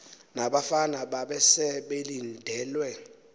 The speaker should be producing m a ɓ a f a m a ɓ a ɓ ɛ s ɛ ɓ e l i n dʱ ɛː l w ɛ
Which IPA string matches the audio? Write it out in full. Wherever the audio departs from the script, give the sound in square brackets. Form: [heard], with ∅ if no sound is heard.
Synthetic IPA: [n] a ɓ a f a [n] a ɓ a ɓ ɛ s ɛ ɓ e l i n dʱ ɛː l w ɛ